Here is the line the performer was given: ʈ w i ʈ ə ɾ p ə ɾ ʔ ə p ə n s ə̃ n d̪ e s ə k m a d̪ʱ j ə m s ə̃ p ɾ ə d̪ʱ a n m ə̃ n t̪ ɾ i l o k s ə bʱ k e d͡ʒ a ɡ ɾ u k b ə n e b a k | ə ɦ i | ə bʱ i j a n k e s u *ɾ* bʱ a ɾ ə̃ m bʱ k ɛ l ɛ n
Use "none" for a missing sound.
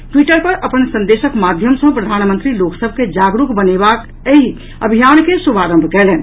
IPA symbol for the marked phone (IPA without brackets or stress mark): none